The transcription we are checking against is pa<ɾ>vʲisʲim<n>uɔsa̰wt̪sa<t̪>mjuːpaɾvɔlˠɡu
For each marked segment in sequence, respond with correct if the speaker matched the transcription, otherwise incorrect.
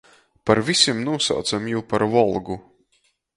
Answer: correct, correct, incorrect

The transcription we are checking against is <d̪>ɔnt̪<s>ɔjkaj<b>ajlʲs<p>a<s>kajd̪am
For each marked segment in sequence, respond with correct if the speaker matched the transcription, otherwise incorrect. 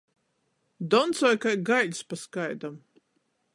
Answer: correct, correct, incorrect, correct, correct

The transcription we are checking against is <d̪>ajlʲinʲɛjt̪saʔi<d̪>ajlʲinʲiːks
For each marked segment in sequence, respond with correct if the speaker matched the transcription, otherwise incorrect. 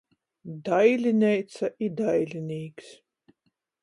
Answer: correct, correct

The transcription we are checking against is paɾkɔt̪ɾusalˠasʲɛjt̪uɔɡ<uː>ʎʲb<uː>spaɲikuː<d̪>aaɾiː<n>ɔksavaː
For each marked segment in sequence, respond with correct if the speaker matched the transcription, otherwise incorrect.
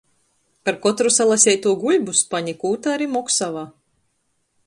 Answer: incorrect, incorrect, incorrect, incorrect

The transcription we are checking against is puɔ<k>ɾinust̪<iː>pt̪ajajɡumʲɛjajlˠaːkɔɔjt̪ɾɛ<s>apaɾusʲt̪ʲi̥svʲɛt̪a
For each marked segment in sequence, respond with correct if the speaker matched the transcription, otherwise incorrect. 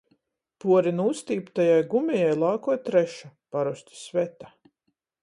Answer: incorrect, correct, incorrect

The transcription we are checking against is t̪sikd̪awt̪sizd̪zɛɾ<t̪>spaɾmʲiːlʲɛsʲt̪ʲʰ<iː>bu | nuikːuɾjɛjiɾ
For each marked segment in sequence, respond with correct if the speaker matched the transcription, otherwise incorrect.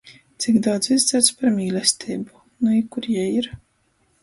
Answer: correct, correct

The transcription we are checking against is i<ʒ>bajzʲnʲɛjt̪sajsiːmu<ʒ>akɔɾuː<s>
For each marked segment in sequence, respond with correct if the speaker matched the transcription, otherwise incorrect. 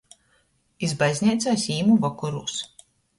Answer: incorrect, incorrect, correct

